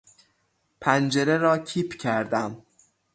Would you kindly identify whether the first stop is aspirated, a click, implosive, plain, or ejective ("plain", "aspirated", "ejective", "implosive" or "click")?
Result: aspirated